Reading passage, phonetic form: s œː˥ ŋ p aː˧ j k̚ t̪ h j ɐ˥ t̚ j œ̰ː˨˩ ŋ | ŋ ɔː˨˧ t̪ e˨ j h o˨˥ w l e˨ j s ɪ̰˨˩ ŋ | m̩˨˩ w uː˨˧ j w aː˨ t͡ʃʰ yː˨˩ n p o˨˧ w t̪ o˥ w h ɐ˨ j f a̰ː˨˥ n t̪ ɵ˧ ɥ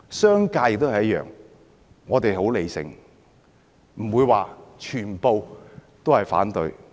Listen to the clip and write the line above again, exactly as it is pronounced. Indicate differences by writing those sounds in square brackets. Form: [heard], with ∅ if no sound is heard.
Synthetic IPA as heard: s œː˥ ŋ [k] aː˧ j k̚ t̪ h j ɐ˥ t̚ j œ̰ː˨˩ ŋ | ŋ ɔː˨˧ t̪ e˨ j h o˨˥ w l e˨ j s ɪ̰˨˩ ŋ | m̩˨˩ w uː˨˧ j w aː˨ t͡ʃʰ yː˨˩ n p o˨˧ w t̪ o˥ w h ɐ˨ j f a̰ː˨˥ n t̪ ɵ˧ ɥ

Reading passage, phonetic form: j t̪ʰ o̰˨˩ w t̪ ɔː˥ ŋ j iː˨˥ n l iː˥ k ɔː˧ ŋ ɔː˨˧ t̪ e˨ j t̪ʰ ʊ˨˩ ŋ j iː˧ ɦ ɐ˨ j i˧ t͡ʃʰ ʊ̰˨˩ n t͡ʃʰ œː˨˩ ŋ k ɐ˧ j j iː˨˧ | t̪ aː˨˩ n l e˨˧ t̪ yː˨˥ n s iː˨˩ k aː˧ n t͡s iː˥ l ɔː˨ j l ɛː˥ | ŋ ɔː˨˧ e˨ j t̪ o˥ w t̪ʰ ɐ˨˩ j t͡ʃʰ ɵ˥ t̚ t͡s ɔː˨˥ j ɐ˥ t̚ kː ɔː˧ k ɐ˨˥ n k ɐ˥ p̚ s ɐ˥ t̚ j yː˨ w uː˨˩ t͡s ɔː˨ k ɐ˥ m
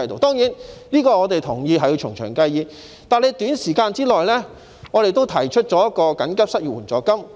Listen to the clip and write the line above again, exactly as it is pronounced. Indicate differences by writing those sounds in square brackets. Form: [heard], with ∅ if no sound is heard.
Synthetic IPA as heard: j [t̪] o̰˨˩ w t̪ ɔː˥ ŋ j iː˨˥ n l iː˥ k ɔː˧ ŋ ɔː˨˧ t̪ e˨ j t̪ʰ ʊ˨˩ ŋ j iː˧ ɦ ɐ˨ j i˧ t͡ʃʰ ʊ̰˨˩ [ŋ] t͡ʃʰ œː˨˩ ŋ k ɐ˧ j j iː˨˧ | t̪ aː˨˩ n l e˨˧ t̪ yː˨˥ n s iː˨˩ k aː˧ n t͡s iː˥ l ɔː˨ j l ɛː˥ | ŋ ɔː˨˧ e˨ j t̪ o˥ w t̪ʰ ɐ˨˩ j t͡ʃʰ ɵ˥ t̚ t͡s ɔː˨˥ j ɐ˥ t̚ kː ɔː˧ k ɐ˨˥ n k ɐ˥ p̚ s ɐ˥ t̚ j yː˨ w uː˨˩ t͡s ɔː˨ k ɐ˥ m

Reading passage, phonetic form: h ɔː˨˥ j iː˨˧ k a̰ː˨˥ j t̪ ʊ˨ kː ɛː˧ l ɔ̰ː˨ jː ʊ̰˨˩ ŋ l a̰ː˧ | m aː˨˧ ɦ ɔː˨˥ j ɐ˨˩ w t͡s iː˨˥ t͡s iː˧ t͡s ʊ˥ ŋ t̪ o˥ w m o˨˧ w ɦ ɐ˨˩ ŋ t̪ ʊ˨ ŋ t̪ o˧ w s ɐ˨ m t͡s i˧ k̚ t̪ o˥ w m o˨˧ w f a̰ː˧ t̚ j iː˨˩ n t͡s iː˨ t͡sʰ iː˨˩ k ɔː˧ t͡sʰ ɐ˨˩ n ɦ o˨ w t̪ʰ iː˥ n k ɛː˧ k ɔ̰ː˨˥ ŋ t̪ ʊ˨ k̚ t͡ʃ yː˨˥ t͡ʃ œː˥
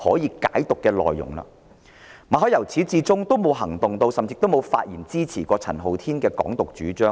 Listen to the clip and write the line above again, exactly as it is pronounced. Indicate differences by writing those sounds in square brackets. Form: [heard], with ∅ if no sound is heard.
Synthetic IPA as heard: h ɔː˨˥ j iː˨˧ k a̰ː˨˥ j t̪ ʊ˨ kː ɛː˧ l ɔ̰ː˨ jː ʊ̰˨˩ ŋ l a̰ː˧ | m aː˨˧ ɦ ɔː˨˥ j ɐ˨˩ w [t͡sʰ] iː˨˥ t͡s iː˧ t͡s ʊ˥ ŋ t̪ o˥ w m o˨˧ w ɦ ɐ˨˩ ŋ t̪ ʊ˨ ŋ t̪ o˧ w s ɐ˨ m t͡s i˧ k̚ t̪ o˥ w m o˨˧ w f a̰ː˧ t̚ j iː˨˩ n t͡s [iː˥] t͡sʰ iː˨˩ k ɔː˧ t͡sʰ ɐ˨˩ n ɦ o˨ w t̪ʰ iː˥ n k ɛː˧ k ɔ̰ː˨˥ ŋ t̪ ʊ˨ k̚ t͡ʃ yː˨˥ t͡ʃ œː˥

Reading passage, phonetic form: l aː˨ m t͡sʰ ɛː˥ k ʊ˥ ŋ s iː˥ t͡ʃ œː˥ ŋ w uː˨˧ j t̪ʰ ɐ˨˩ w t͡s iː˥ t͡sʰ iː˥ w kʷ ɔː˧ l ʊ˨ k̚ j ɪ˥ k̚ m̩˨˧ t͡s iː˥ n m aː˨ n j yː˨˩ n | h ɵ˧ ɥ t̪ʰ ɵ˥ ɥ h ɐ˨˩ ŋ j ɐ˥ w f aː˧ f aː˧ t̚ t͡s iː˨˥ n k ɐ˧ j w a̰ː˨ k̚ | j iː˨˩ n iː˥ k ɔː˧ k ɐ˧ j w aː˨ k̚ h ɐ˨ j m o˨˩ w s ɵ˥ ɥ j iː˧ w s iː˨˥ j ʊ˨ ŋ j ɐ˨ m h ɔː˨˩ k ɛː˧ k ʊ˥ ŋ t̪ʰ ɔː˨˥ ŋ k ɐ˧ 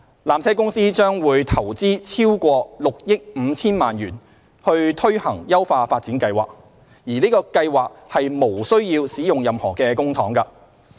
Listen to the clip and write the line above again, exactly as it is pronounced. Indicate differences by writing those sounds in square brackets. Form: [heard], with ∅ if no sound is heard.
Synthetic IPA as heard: l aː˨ m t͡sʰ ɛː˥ k ʊ˥ ŋ s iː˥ t͡ʃ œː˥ ŋ w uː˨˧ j t̪ʰ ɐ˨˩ w t͡s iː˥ t͡sʰ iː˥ w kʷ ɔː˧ l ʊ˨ k̚ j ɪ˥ k̚ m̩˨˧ [t͡sʰ] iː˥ n m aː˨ n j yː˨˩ n | h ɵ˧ ɥ t̪ʰ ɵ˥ ɥ h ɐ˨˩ ŋ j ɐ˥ w f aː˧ f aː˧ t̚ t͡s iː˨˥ n k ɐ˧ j w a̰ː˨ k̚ | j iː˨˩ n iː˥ k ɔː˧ k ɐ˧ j w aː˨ k̚ h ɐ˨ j m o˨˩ w s ɵ˥ ɥ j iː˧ w s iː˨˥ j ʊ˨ ŋ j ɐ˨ m h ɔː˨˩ k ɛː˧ k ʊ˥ ŋ t̪ʰ ɔː˨˥ ŋ k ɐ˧

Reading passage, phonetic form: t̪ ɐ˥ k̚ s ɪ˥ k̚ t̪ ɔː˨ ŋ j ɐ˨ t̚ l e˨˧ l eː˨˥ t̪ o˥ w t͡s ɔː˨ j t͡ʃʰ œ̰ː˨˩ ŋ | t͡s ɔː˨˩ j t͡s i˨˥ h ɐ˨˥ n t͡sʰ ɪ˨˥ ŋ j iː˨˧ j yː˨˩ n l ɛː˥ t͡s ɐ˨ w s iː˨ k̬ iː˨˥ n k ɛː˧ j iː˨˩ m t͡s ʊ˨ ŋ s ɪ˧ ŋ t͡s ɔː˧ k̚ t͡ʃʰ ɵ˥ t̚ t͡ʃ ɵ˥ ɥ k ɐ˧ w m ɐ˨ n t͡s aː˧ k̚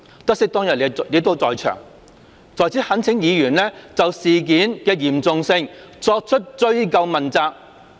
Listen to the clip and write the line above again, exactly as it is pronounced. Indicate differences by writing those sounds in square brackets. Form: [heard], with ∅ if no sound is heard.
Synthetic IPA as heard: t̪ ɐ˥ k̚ s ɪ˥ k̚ t̪ [ɔː˥] ŋ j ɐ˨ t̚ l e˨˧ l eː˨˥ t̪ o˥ w t͡s ɔː˨ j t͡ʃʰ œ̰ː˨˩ ŋ | t͡s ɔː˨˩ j t͡s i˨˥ h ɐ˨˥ n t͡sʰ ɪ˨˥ ŋ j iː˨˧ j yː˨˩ n l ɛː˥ t͡s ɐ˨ w s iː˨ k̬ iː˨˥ n k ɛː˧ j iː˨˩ m t͡s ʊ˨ ŋ s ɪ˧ ŋ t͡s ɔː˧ k̚ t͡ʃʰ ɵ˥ t̚ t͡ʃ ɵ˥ ɥ k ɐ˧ w m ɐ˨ n t͡s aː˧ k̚

